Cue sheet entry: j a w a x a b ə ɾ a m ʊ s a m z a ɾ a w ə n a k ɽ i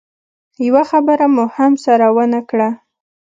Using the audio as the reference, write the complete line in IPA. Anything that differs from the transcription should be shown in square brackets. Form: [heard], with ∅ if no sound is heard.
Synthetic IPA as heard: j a w a x a b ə ɾ a m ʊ [h] a m [s] a ɾ a w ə n a k ɽ [a]